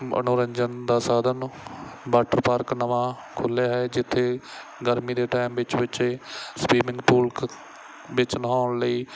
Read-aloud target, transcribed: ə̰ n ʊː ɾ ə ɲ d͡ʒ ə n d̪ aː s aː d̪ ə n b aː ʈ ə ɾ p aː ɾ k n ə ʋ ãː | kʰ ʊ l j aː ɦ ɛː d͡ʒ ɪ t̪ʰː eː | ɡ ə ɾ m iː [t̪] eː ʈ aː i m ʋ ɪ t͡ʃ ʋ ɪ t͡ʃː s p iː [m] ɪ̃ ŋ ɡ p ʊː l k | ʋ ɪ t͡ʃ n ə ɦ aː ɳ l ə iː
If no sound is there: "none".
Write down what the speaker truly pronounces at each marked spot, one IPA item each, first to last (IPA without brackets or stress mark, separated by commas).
d̪, m